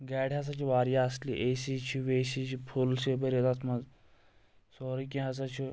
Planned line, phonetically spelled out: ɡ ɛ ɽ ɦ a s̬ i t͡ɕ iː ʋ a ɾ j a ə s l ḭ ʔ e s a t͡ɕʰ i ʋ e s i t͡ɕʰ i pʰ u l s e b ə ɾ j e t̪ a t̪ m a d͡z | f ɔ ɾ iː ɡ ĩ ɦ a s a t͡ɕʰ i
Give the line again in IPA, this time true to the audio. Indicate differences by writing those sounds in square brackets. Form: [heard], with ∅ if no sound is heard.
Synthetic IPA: ɡ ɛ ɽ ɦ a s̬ [a] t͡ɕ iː ʋ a ɾ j a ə s l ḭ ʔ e s [i] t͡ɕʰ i ʋ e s i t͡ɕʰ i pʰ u l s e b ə ɾ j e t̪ a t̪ m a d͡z | [s] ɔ ɾ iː [k] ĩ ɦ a s a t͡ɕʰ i